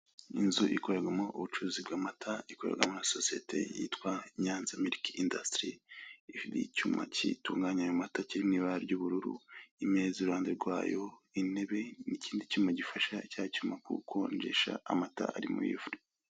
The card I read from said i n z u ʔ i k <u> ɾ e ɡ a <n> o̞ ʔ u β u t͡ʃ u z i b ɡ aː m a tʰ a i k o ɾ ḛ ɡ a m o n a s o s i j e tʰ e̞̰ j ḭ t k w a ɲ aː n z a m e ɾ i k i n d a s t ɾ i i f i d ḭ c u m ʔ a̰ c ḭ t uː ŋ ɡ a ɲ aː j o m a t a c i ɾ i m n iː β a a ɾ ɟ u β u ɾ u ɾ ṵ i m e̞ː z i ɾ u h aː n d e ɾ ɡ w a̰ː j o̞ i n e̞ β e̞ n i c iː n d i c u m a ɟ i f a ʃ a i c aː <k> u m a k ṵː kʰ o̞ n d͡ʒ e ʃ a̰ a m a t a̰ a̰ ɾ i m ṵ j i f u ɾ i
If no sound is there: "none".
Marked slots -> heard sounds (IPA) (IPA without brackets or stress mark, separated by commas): o, m, c